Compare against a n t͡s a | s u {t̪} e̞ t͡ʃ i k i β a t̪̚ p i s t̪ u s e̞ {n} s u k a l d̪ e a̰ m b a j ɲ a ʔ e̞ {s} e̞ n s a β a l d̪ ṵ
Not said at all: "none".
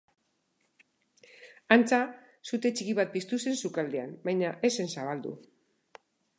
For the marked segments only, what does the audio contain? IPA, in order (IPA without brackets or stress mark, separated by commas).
t̪, n, s